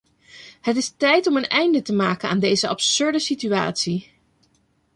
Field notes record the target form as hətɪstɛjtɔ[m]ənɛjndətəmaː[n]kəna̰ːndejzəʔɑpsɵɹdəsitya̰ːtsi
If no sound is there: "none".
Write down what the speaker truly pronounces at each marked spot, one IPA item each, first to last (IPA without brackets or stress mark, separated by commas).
m, none